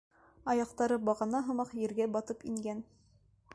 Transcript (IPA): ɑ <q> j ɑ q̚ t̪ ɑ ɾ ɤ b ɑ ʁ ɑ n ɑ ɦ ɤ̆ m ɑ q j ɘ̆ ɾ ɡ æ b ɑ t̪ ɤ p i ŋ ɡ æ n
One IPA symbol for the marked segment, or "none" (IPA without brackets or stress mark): none